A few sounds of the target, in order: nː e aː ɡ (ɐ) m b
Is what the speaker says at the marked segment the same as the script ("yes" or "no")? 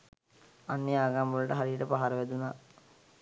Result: no